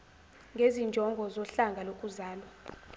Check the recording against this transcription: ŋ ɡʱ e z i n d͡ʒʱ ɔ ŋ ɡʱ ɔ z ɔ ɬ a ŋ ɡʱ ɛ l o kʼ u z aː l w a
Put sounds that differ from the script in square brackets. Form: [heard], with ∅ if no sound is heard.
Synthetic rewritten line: ŋ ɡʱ e z i n d͡ʒʱ ɔ ŋ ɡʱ ɔ z ɔ ɬ a ŋ ɡʱ [a] l o kʼ u z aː l w a